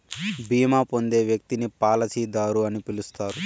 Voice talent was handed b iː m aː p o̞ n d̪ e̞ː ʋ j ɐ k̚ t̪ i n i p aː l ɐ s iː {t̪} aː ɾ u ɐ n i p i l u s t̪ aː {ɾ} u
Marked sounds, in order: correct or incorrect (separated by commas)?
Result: incorrect, correct